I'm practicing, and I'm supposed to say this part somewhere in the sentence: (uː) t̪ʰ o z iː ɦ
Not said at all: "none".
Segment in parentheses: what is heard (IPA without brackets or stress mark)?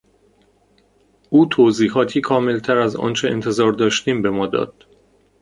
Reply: uː